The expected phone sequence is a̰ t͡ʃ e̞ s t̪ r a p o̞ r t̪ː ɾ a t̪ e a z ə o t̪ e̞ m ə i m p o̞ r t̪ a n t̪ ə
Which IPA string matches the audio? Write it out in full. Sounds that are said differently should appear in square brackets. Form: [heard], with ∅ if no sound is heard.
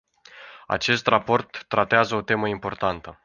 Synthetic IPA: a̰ t͡ʃ e̞ s t̪ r a p o̞ r t̪ː ɾ a t̪ e a z ə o t̪ e̞ m ə i m p o̞ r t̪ a n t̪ ə